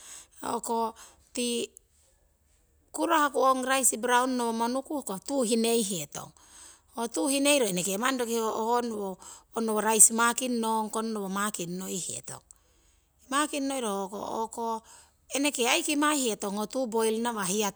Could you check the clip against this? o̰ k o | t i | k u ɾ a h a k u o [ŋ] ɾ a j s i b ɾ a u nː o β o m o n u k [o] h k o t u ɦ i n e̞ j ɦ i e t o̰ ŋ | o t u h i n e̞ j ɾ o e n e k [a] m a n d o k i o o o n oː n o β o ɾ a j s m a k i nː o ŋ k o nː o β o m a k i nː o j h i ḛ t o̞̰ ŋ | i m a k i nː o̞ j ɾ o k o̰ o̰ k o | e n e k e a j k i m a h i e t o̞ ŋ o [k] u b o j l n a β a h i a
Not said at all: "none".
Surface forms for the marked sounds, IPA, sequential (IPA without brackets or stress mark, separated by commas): ŋ, u, e, t